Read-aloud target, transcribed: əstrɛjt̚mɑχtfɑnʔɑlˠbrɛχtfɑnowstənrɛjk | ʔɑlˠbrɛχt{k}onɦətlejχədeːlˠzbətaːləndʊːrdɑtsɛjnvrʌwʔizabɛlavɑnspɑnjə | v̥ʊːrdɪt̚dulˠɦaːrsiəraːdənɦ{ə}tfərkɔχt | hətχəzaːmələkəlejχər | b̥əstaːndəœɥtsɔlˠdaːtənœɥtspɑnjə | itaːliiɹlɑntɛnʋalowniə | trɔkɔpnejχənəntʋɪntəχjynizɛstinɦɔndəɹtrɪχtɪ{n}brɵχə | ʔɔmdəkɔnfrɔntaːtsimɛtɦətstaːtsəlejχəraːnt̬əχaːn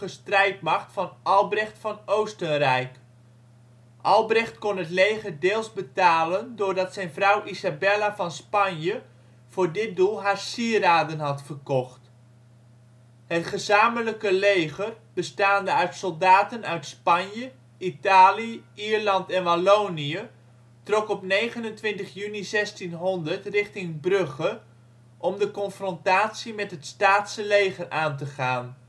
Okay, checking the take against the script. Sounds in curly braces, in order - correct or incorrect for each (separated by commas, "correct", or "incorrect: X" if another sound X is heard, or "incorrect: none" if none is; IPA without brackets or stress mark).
correct, incorrect: ɑ, incorrect: ŋ